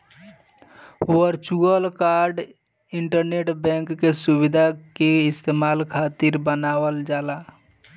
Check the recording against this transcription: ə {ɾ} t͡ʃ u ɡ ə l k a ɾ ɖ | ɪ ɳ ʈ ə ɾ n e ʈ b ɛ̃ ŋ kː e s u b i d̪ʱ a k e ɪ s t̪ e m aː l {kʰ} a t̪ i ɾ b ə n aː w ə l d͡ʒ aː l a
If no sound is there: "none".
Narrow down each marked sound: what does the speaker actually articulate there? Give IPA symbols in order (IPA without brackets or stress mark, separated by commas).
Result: ɾ, kʰ